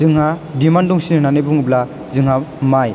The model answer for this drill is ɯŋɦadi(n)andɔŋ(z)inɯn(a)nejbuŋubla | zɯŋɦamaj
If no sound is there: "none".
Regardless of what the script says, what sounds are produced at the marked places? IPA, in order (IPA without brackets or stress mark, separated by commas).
m, s, a